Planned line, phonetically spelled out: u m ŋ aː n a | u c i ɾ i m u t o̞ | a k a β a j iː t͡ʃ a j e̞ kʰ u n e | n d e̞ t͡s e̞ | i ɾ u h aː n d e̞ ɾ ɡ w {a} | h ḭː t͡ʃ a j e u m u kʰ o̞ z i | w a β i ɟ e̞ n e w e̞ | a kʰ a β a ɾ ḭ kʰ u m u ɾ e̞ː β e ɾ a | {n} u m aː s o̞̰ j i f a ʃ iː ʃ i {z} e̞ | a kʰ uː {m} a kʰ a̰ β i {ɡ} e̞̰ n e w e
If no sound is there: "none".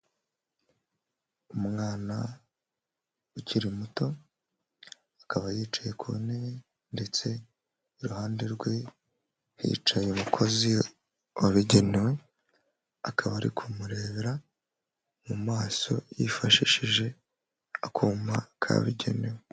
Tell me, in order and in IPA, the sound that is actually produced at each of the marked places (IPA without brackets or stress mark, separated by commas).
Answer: e, m, ʒ, m, ɟ